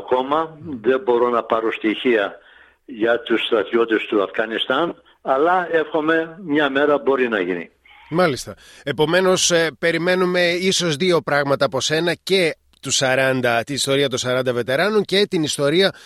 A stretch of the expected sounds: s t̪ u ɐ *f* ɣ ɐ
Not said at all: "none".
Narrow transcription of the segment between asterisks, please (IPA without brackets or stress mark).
f